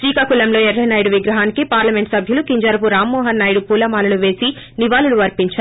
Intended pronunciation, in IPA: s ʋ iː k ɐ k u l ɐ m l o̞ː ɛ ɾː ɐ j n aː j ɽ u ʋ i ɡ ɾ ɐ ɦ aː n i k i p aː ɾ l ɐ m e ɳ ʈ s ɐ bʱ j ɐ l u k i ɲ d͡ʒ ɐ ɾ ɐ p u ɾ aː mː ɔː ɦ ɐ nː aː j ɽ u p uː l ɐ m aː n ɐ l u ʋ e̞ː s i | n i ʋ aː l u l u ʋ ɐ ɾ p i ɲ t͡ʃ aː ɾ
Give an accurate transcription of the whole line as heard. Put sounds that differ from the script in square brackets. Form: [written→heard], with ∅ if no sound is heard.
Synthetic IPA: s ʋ iː k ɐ k u l ɐ m l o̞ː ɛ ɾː ɐ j n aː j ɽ u ʋ i ɡ ɾ ɐ ɦ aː n i k i p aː ɾ l ɐ m e ɳ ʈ s ɐ bʱ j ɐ l u k i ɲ d͡ʒ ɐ ɾ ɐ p u ɾ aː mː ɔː ɦ ɐ nː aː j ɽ u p uː l ɐ m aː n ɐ l u ʋ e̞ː s i | n i ʋ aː l u l u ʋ ɐ ɾ p i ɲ t͡ʃ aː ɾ